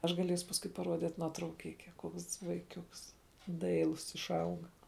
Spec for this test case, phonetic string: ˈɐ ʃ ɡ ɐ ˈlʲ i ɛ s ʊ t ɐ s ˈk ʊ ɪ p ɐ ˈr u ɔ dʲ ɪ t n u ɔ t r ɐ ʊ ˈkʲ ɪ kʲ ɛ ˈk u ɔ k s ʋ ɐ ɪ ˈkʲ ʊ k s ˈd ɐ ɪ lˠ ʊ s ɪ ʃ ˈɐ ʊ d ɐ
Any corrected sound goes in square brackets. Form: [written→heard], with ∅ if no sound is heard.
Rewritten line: ˈɐ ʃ ɡ ɐ ˈlʲ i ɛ s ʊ [t→p] ɐ s ˈk ʊ ɪ p ɐ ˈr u ɔ dʲ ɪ t n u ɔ t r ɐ ʊ ˈkʲ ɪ kʲ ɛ ˈk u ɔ k s ʋ ɐ ɪ ˈkʲ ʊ k s ˈd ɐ ɪ lˠ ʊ s ɪ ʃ ˈɐ ʊ [d→ɡ] ɐ